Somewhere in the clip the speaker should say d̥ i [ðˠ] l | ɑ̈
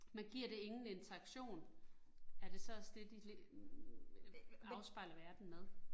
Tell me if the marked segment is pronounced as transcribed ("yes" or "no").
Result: no